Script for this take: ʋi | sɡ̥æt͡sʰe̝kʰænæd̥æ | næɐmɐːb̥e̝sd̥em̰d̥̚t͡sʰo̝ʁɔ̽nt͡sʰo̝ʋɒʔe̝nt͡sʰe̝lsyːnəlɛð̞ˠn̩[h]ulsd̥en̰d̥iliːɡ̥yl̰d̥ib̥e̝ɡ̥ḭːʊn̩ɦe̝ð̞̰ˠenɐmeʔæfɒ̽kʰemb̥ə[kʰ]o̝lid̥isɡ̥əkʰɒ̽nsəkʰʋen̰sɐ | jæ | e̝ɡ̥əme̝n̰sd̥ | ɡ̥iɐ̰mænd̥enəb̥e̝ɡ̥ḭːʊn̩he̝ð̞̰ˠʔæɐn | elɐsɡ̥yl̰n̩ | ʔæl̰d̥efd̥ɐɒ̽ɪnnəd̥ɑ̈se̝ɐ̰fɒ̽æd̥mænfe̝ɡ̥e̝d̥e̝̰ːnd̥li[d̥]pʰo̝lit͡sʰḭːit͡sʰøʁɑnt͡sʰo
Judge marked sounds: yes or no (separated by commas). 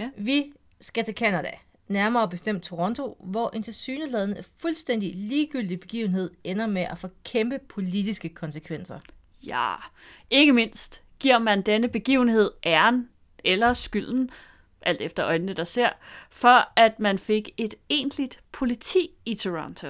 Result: no, no, yes